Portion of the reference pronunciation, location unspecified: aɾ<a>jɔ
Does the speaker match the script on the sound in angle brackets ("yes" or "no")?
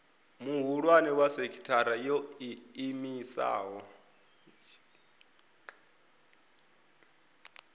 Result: yes